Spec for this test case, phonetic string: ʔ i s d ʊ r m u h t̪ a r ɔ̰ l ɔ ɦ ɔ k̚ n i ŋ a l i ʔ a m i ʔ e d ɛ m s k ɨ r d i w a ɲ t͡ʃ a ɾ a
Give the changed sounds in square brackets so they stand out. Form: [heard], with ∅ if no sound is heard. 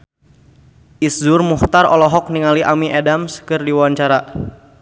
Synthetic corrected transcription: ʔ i s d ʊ r m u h t̪ a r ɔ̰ l ɔ ɦ ɔ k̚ n i ŋ a l i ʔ a m i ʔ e d [a] m s k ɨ r d i w a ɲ t͡ʃ a ɾ a